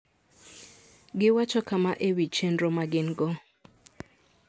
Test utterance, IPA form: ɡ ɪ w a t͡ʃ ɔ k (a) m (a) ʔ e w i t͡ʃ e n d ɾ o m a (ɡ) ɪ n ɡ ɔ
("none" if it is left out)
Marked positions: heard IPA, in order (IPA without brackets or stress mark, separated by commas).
a, a, ɡ